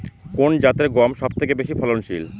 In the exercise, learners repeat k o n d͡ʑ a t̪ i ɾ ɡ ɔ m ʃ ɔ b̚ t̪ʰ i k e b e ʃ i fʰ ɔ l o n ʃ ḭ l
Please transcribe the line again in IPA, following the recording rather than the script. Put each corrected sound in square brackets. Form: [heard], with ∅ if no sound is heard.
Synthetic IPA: k o n d͡ʑ a t̪ [e] ɾ ɡ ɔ m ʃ ɔ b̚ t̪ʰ [e] k e b e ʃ i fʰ ɔ l o n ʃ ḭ l